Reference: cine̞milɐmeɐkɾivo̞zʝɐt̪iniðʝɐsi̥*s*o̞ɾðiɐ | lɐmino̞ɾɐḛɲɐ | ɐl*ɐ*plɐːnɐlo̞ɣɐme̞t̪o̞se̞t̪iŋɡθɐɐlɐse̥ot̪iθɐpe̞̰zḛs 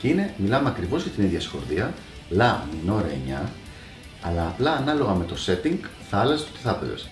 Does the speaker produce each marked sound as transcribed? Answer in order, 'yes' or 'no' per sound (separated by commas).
no, no